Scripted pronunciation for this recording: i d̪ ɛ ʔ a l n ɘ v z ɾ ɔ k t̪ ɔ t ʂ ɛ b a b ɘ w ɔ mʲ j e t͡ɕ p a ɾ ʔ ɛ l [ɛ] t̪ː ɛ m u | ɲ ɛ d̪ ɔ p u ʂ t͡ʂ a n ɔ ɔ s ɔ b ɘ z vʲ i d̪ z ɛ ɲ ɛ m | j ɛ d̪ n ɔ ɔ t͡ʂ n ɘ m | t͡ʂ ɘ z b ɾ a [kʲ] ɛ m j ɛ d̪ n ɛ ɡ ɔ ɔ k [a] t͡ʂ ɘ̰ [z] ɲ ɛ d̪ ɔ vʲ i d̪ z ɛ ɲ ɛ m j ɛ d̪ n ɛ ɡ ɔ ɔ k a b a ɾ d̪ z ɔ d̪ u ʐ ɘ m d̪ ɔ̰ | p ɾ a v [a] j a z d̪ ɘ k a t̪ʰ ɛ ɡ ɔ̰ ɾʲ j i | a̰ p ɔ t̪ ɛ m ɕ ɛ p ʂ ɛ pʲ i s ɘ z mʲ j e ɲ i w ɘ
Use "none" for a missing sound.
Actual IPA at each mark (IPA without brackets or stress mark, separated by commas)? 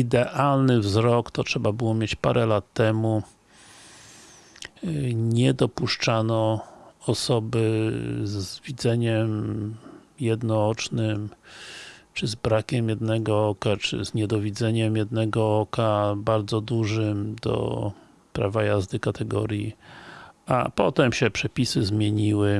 a, kʲ, a, z, a